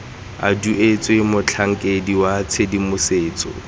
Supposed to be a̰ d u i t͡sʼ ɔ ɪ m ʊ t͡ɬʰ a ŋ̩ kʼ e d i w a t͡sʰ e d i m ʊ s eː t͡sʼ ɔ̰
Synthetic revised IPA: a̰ d u e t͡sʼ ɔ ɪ m ʊ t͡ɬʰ a ŋ̩ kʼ e d i w a t͡sʰ e d i m ʊ s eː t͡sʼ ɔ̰